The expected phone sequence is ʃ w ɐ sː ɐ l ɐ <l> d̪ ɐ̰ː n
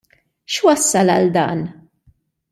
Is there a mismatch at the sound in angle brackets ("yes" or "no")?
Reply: no